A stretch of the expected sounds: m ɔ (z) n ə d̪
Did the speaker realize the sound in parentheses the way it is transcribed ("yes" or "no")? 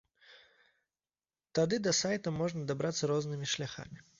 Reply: no